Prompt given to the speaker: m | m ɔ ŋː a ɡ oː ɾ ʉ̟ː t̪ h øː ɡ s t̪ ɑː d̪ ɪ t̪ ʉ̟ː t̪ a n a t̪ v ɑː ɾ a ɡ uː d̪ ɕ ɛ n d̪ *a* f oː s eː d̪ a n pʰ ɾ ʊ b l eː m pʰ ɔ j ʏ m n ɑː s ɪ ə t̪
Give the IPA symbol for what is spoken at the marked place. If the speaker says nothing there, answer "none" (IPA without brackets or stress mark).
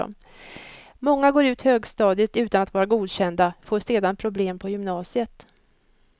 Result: a